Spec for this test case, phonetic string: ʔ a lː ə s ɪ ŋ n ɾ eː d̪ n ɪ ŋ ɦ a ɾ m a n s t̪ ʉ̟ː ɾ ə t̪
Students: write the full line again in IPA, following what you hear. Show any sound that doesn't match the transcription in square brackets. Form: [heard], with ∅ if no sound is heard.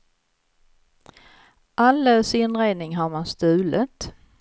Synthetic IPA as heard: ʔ a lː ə s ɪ [∅] n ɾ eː d̪ n ɪ ŋ ɦ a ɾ m a n s t̪ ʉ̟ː [l] ə t̪